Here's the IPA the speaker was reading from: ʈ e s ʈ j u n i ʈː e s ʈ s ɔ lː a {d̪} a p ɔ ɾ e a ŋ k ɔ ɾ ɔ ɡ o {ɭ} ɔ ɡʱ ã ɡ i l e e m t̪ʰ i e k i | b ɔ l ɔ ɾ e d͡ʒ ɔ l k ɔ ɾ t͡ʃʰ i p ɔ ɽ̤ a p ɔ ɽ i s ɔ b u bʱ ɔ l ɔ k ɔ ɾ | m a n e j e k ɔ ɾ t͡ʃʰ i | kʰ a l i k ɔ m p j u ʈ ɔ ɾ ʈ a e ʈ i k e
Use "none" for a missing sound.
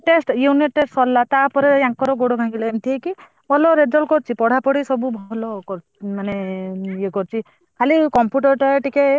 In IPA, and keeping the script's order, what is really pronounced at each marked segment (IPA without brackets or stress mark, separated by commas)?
t̪, ɽ